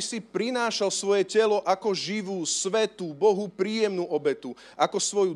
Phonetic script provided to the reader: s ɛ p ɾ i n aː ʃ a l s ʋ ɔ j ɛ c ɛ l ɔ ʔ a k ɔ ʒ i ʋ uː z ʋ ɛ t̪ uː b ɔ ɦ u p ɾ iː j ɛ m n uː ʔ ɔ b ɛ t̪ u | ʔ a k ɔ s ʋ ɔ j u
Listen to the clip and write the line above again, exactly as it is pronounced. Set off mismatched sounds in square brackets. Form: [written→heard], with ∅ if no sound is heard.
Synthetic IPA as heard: s [ɛ→i] p ɾ i n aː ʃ a l s ʋ ɔ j ɛ c ɛ l ɔ ʔ a k ɔ ʒ i ʋ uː [z→s] ʋ ɛ t̪ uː b ɔ ɦ u p ɾ iː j ɛ m n uː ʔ ɔ b ɛ t̪ u | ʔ a k ɔ s ʋ ɔ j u